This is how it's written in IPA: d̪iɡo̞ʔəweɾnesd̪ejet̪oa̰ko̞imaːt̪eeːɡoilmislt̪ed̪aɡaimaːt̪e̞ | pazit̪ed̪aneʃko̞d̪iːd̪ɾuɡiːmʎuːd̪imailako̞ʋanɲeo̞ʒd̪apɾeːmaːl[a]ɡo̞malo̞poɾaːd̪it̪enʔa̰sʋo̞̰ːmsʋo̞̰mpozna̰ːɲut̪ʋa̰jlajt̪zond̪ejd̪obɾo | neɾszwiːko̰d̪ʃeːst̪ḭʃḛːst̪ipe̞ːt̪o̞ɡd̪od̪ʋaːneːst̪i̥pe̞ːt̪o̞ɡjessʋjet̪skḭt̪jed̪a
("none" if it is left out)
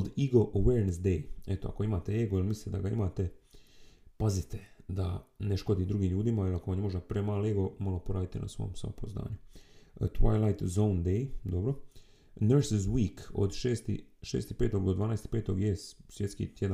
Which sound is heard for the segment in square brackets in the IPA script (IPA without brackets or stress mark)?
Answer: e